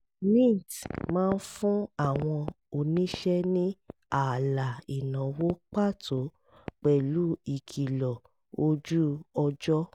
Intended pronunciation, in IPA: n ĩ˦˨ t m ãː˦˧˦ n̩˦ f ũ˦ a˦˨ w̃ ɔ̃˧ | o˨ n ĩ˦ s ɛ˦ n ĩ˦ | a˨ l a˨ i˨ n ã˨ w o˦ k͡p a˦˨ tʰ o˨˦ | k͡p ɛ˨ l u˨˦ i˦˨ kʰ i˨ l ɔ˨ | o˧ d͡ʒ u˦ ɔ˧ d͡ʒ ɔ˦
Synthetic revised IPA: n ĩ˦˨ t m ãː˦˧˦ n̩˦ f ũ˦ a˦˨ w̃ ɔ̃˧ | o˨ n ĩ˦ ʃ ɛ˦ n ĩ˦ | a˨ l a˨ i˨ n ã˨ w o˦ k͡p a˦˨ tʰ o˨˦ | k͡p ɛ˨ l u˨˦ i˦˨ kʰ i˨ l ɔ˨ | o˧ d͡ʒ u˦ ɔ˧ d͡ʒ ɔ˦